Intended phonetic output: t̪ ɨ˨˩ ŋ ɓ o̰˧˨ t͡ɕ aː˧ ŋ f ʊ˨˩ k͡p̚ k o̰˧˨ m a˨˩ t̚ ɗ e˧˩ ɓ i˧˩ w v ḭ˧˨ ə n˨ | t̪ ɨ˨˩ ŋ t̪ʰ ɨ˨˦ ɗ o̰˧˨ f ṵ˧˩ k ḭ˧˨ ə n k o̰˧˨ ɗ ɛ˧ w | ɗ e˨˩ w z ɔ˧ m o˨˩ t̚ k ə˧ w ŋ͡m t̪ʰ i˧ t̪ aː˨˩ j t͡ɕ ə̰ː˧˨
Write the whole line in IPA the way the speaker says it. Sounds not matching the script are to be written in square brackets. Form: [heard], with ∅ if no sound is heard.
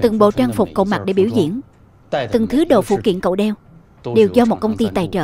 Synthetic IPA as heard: t̪ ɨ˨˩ ŋ ɓ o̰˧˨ t͡ɕ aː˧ ŋ f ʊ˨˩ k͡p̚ k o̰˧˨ m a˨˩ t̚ ɗ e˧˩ ɓ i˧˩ w [z] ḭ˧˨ ə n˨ | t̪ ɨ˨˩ ŋ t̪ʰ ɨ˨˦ ɗ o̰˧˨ f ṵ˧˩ k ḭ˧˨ ə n k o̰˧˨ ɗ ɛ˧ w | ɗ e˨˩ w z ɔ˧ m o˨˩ t̚ k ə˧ w ŋ͡m [t̪] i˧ t̪ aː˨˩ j t͡ɕ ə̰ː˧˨